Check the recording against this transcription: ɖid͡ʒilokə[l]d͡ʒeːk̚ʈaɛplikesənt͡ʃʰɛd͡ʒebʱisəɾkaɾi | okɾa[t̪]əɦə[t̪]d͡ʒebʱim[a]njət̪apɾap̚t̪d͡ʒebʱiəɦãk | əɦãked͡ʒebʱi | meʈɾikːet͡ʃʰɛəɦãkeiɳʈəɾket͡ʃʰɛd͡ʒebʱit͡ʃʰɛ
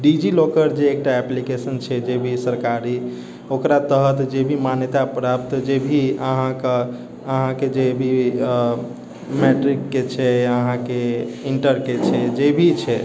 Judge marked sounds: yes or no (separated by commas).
no, yes, yes, yes